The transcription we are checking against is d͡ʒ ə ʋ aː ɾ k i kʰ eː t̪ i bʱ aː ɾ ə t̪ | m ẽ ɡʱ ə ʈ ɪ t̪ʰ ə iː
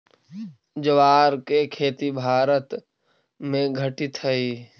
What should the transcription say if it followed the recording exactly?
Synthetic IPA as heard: d͡ʒ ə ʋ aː ɾ k e kʰ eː t̪ i bʱ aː ɾ ə t̪ | m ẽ ɡʱ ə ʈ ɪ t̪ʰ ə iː